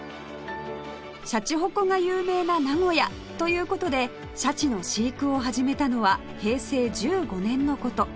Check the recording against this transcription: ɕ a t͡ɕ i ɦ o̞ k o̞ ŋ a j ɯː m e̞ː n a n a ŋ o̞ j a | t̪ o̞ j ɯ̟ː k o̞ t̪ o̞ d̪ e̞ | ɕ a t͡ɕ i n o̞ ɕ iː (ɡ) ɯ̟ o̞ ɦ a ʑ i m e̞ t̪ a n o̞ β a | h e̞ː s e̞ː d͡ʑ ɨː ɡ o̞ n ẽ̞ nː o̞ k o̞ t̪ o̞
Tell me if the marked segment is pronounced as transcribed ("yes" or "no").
no